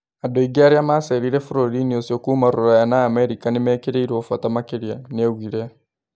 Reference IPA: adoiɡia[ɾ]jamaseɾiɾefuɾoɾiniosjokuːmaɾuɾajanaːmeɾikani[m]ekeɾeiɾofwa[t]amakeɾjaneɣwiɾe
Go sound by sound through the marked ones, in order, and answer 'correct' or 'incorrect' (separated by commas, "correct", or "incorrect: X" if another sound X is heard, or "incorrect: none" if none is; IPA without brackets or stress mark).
correct, correct, correct